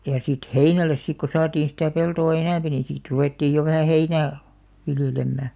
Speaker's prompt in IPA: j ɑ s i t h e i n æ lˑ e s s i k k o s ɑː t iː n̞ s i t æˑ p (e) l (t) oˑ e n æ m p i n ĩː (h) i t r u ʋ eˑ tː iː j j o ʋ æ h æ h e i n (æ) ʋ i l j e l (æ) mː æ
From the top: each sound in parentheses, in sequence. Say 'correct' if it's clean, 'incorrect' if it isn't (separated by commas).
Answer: correct, correct, incorrect, incorrect, incorrect